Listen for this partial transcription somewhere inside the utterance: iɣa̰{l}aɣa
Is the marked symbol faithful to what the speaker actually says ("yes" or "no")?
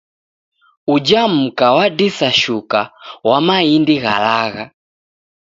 yes